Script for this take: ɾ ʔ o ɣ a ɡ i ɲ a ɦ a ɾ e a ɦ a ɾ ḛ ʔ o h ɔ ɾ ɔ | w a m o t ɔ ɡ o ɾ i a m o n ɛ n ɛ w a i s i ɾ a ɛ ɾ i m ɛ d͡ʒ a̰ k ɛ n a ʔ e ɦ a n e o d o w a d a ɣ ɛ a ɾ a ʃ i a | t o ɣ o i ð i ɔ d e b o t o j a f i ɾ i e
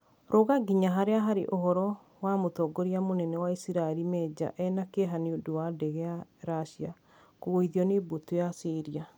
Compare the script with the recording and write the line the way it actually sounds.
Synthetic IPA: ɾ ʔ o ɣ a ɡ i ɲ a ɦ a ɾ e a ɦ a ɾ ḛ ʔ o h ɔ ɾ ɔ | w a m o t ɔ ɡ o ɾ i a m o n ɛ n ɛ w a i s i ɾ a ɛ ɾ i m ɛ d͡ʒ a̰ ʔ ɛ n a k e ɦ a n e o d o w a d ɛ ɣ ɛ a ɾ a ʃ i a | k o ɣ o i ð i ɔ n e b o t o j a s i ɾ i a